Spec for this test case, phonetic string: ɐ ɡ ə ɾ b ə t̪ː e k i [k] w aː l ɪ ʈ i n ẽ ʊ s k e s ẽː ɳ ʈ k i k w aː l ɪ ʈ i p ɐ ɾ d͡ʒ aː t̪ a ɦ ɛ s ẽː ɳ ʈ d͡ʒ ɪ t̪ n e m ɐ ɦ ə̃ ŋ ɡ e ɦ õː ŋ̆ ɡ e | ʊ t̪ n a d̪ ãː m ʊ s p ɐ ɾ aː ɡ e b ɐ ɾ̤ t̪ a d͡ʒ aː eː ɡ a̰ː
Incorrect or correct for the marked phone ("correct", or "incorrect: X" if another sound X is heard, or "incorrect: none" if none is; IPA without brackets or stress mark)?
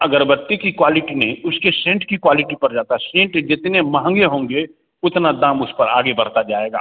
correct